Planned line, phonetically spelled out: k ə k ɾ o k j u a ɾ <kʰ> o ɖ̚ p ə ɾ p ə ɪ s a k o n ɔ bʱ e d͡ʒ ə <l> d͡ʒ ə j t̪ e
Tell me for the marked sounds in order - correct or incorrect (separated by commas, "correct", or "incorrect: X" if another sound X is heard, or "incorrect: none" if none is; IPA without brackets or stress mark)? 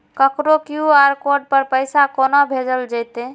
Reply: incorrect: k, correct